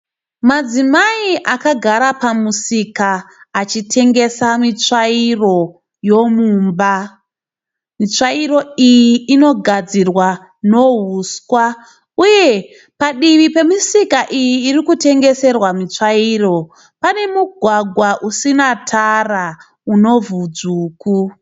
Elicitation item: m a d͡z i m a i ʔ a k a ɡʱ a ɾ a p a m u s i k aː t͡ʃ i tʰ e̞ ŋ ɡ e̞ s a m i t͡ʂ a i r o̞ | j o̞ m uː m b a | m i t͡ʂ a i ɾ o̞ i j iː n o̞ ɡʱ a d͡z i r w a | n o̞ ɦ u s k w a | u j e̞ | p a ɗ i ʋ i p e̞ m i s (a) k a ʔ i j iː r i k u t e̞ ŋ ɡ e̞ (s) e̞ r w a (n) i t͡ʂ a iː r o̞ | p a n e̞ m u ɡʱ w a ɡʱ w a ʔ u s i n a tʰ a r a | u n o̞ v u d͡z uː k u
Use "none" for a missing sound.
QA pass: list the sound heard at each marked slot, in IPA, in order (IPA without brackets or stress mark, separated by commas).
i, s, m